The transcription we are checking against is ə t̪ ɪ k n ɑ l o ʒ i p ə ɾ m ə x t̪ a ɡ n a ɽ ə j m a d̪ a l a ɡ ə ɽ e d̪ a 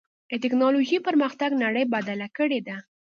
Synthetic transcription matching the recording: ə t̪ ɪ k n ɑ l o ʒ i p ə ɾ m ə x t̪ a ɡ n a ɽ ə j b a d̪ a l a k ə ɽ e d̪ a